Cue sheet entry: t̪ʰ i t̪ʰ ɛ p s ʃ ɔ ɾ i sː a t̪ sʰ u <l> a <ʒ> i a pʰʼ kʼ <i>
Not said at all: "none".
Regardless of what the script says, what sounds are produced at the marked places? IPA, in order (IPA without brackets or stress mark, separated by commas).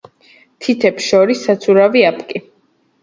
ɾ, v, i